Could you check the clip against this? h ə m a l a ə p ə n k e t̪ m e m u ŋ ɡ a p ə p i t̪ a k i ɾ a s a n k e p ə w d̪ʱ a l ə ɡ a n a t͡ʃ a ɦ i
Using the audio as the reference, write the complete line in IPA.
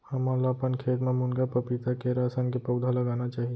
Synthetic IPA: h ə m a l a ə p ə n kʰ e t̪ m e m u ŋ ɡ a p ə p i t̪ a k e ɾ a s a n k e p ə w d̪ʱ a l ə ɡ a n a t͡ʃ a ɦ i